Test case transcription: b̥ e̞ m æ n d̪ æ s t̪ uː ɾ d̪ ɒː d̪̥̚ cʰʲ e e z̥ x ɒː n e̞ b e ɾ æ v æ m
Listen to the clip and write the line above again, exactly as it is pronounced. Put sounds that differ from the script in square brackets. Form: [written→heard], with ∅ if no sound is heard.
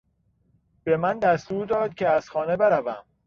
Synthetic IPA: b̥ e̞ m æ n d̪ æ s t̪ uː ɾ d̪ ɒː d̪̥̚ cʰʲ e [e→æ] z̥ x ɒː n e̞ b e ɾ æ v æ m